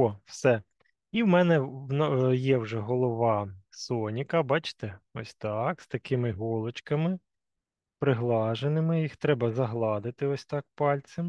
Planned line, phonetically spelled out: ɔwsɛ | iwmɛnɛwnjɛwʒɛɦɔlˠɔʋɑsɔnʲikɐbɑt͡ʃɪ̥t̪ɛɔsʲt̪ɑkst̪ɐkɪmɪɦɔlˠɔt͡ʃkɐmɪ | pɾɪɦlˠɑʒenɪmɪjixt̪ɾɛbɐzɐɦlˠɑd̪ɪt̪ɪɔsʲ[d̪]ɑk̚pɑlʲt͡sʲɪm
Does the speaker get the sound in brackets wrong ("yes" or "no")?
yes